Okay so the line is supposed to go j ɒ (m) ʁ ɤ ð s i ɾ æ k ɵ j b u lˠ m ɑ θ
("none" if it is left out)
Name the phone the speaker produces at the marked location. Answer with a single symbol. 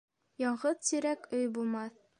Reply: ɴ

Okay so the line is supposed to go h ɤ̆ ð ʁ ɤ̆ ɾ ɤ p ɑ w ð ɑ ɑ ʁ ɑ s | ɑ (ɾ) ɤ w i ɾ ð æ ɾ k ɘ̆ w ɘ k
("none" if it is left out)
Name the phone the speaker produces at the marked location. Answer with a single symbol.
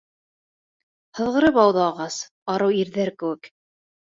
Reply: ɾ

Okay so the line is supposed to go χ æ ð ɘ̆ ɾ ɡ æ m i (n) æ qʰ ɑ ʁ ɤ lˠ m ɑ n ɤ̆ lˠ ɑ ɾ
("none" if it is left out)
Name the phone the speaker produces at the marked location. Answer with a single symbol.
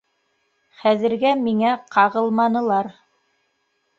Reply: ŋ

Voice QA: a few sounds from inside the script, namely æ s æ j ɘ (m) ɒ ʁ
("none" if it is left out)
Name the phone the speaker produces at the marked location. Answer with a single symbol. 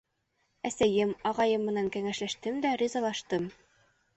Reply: m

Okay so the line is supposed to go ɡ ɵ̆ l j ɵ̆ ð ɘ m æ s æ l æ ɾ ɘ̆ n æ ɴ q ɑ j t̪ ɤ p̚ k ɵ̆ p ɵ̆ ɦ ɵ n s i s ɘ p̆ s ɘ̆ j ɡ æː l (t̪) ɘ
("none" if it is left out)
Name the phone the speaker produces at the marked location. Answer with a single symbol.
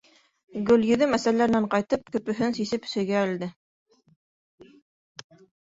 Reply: d̪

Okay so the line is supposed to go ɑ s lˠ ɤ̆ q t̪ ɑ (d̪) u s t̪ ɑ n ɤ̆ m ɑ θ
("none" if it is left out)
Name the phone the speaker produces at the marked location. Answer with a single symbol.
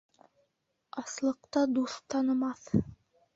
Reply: d̪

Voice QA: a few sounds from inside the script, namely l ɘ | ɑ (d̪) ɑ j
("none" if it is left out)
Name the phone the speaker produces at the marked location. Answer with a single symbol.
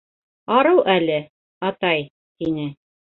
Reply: t̪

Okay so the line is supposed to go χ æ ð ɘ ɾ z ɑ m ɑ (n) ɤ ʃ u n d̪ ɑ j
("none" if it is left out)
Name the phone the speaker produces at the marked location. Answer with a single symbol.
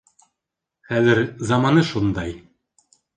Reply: n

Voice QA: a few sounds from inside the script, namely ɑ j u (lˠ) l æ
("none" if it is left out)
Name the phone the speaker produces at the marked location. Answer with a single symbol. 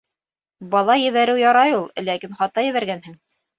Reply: lˠ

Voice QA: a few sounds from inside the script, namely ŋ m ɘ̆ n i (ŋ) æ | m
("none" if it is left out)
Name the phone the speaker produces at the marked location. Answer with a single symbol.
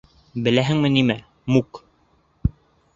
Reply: m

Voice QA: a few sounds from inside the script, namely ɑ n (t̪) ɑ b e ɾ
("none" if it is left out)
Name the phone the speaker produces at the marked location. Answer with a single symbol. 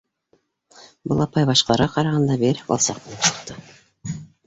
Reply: d̪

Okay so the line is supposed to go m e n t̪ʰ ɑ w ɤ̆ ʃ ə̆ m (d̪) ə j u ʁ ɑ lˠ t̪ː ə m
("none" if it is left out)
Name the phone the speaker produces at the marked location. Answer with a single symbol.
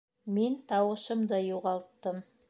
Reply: d̪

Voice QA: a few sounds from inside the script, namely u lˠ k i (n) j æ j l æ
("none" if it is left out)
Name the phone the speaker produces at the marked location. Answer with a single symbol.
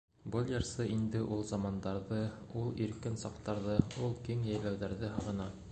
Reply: ŋ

